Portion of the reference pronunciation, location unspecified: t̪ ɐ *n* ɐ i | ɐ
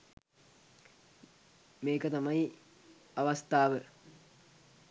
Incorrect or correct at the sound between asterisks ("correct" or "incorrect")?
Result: incorrect